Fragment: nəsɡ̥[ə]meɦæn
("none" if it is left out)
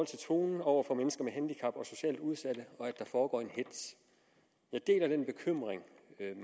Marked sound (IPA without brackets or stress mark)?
ɐ